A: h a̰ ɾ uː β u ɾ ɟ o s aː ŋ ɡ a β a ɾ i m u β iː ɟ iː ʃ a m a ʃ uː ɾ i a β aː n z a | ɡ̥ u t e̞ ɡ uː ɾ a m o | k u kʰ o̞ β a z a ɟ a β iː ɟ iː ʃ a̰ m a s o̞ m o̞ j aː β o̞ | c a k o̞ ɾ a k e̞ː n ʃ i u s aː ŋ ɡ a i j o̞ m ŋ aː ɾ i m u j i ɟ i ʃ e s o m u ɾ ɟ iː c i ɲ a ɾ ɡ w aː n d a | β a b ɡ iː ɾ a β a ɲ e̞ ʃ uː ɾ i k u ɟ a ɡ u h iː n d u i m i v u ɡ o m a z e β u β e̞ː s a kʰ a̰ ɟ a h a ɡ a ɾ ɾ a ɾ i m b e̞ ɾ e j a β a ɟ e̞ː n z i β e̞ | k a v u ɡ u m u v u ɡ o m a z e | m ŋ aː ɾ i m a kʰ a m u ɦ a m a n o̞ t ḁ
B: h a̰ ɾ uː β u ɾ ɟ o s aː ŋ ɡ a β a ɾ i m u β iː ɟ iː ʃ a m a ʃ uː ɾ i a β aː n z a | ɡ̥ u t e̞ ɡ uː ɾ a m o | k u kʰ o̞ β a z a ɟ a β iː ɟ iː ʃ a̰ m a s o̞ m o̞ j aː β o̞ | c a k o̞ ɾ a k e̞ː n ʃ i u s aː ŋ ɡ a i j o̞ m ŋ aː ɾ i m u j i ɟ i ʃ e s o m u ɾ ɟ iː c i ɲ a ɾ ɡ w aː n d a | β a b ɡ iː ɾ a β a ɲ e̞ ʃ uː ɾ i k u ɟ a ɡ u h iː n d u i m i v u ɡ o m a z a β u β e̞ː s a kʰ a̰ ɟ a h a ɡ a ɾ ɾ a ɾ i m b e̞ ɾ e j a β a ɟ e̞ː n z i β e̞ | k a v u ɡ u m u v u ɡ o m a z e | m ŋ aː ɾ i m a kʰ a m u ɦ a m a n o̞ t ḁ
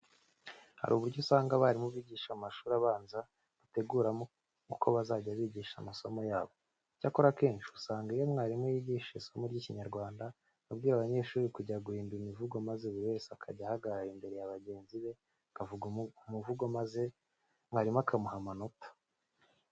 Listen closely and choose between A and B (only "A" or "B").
A